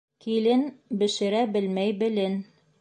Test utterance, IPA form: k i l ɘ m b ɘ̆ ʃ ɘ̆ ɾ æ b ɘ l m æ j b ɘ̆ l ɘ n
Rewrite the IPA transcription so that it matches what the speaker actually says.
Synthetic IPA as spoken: k i l ɘ n b ɘ̆ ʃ ɘ̆ ɾ æ b ɘ l m æ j b ɘ̆ l ɘ n